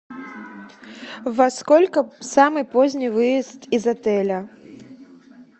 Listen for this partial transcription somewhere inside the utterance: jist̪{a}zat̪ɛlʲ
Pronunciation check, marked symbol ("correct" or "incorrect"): incorrect